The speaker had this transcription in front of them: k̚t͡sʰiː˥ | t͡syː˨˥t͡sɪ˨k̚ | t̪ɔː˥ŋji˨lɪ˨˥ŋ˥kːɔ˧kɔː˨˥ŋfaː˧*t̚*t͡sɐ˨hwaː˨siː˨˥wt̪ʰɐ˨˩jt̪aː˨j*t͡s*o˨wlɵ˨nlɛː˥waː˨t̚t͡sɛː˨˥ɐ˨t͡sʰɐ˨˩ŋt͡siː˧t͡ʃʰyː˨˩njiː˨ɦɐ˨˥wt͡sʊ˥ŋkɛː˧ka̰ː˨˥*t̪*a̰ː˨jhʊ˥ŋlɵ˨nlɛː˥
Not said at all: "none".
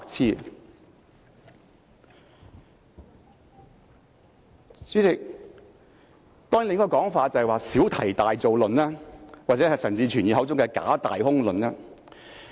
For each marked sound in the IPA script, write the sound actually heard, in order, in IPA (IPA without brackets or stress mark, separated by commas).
t̚, t͡s, t̪